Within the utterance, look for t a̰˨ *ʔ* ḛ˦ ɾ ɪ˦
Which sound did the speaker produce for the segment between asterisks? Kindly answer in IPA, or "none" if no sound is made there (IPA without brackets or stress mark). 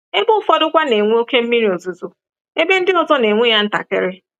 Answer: k